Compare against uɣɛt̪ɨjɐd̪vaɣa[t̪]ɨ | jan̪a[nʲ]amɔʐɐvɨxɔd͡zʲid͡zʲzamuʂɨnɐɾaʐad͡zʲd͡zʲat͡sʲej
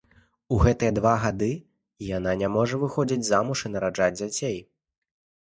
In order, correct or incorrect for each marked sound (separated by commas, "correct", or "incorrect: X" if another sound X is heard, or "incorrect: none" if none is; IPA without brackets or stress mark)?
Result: incorrect: d̪, correct